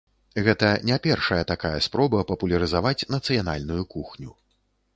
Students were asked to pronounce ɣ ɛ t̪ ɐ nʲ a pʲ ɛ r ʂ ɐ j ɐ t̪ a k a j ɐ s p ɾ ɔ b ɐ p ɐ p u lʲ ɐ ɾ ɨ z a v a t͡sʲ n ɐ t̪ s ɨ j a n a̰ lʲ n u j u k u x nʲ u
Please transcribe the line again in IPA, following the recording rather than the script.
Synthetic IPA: ɣ ɛ t̪ ɐ nʲ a pʲ ɛ r ʂ ɐ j ɐ t̪ a k a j ɐ s p ɾ ɔ b ɐ p ɐ p u lʲ ɐ ɾ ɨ z a v a t͡sʲ n ɐ t̪ s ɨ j a n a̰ lʲ n u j u k u x nʲ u

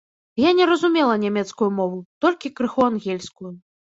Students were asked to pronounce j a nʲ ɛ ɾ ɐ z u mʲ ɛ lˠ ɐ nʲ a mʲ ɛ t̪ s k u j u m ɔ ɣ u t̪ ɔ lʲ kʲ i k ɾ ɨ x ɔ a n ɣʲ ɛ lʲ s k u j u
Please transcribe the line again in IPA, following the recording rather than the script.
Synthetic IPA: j a nʲ ɛ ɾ ɐ z u mʲ ɛ lˠ ɐ nʲ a mʲ ɛ t̪ s k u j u m ɔ v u t̪ ɔ lʲ kʲ i k ɾ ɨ x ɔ a n ɣʲ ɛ lʲ s k u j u

